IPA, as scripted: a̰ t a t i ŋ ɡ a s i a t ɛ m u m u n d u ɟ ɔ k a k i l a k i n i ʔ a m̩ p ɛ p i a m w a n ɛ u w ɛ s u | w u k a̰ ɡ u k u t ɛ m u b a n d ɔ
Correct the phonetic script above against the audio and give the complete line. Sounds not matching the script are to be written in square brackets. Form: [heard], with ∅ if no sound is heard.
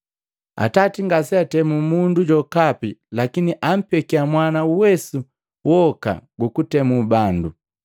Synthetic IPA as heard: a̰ t a t i ŋ ɡ a s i a t ɛ m u m u n d u ɟ ɔ k a [p] i l a k i n i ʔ a m̩ p ɛ [k] i a m w a n [a] u w ɛ s u | w [ɔ] k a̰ ɡ u k u t ɛ m u b a n d [u]